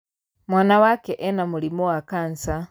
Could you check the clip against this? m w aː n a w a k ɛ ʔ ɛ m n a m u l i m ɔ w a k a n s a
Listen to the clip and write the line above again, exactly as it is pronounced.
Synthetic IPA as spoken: m w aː n a w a k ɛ ʔ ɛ n a m u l i m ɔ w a k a n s a